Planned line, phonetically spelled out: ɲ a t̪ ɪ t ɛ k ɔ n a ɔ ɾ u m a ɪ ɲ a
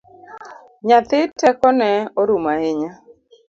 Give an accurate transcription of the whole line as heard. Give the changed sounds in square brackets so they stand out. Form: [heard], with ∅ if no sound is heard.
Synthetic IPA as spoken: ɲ a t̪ ɪ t ɛ k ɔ n [ɛ] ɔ ɾ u m a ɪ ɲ a

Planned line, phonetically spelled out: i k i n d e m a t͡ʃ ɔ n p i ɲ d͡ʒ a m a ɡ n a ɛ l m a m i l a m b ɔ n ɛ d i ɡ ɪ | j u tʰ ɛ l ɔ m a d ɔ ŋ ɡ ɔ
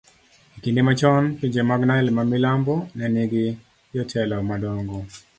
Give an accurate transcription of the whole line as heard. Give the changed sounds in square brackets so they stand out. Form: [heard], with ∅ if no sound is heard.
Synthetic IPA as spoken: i k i n d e m a t͡ʃ ɔ n p i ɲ d͡ʒ [e] m a ɡ n a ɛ l m a m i l a m b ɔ n ɛ [n] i ɡ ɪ | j [ɔ] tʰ ɛ l ɔ m a d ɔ ŋ ɡ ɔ

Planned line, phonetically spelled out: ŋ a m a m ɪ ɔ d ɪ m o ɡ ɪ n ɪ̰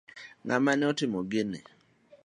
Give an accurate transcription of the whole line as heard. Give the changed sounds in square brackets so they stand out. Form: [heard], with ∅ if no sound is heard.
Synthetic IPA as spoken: ŋ a m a [n] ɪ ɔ [t] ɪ m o ɡ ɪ n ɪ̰

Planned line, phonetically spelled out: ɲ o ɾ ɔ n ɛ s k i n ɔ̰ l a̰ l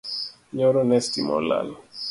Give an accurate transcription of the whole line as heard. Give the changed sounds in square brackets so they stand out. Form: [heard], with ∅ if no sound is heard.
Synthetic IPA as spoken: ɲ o ɾ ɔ n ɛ s [t] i [m] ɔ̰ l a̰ l

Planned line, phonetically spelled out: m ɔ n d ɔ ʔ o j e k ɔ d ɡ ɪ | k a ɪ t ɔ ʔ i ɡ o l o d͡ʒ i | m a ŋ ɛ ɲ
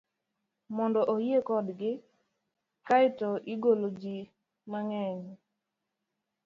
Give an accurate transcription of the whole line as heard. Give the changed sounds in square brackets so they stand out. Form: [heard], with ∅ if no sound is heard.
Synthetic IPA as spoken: m ɔ n d ɔ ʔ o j e k ɔ d ɡ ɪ | k a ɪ t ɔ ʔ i ɡ o l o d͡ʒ i | m a ŋ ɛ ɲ

